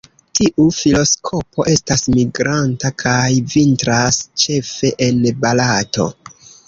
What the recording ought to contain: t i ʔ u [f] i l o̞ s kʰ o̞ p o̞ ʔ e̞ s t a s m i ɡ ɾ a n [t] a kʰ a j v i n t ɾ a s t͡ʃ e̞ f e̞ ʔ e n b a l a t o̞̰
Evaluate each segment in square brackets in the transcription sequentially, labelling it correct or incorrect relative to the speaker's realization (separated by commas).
correct, correct